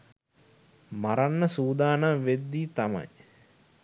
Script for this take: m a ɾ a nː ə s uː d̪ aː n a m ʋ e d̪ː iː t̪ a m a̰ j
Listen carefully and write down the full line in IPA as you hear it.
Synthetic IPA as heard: m a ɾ a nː ə s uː d̪ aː n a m ʋ e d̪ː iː t̪ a m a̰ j